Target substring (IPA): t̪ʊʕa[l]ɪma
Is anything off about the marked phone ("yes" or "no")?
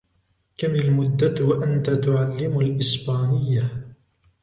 yes